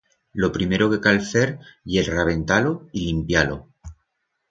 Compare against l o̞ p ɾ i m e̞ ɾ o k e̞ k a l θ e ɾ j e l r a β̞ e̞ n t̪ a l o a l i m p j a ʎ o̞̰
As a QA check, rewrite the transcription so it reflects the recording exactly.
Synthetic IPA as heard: l o̞ p ɾ i m e̞ ɾ o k e̞ k a l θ e ɾ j e l r a β̞ e̞ n t̪ a l o i l i m p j a l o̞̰